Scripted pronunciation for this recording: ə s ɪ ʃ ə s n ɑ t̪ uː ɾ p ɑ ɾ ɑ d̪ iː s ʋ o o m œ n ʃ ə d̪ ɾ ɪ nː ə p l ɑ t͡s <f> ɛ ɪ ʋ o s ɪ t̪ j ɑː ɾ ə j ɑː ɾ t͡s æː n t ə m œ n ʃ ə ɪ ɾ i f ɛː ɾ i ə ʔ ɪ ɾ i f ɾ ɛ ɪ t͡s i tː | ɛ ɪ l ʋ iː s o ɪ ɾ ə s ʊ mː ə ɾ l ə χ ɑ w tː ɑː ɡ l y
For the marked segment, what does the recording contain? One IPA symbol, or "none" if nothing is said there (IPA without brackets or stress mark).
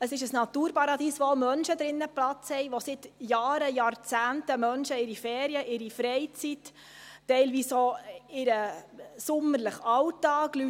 h